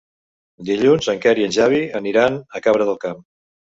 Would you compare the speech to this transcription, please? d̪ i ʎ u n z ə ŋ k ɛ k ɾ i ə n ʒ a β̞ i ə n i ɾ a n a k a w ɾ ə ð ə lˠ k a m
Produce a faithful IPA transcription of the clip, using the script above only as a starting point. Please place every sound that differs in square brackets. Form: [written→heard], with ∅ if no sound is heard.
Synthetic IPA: d̪ i ʎ u n z ə ŋ k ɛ [k→∅] ɾ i ə n ʒ a β̞ i ə n i ɾ a n [a→ə] k a [w→β] ɾ ə ð ə lˠ k a m